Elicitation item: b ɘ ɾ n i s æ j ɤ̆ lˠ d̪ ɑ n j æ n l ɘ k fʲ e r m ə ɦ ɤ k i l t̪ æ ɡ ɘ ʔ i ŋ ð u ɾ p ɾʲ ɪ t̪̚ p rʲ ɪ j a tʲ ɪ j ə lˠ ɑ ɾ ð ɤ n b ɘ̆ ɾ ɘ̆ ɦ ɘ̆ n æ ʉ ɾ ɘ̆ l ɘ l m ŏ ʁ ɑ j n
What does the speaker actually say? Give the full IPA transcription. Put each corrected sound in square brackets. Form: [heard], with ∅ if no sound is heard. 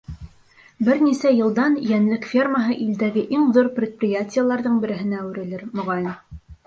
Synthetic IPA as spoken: b ɘ ɾ n i s æ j ɤ̆ lˠ d̪ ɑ n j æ n l ɘ k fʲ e r m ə ɦ ɤ [ʔ] i l [d̪] æ ɡ ɘ ʔ i ŋ ð u ɾ p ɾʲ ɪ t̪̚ p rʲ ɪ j a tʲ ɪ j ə lˠ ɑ ɾ ð ɤ [ɴ] b ɘ̆ ɾ ɘ̆ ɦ ɘ̆ n æ ʉ ɾ ɘ̆ l ɘ [ɾ] m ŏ ʁ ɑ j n